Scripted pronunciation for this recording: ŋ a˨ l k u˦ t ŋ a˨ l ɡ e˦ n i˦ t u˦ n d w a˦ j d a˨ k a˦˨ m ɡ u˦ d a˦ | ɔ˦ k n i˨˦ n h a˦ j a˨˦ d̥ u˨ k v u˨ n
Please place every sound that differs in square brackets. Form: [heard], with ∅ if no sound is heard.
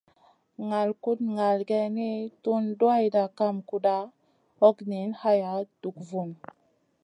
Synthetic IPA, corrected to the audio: ŋ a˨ l k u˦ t ŋ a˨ l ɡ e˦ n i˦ t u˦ n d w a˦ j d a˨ k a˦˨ m [k] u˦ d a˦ | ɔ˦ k n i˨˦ n h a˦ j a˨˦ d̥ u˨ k v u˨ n